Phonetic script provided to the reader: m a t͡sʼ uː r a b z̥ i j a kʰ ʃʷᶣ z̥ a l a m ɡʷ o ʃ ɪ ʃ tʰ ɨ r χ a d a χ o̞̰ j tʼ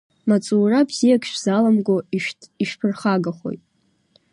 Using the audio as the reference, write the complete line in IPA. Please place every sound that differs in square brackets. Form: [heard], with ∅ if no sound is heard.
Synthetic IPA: m a t͡sʼ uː r a b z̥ i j a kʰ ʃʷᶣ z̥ a l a m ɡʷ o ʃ [i] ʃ [pʰ] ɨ r χ a [ɡ] a χ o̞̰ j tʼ